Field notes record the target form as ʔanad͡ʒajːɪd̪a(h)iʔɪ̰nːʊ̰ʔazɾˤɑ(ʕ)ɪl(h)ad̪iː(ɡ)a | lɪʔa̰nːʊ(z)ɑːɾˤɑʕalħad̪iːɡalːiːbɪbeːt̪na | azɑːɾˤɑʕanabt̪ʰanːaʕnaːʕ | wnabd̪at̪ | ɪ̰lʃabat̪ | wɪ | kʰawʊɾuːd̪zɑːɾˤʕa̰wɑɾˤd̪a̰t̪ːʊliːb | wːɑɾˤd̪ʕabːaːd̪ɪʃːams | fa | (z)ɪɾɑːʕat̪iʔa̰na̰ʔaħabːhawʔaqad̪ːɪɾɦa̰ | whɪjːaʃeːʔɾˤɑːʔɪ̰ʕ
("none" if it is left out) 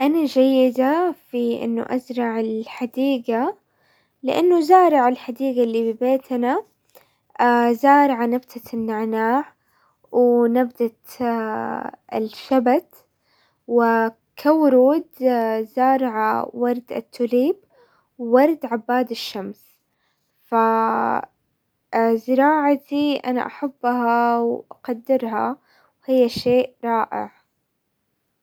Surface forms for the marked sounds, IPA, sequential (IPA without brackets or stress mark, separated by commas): f, ʕ, ħ, ɡ, z, z